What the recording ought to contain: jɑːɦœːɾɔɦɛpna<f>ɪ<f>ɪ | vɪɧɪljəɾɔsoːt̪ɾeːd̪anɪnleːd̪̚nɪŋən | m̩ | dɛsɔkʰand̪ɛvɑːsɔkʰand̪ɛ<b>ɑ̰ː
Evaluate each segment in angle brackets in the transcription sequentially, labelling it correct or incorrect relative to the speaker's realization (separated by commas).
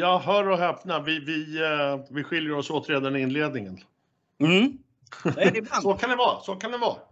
incorrect, incorrect, incorrect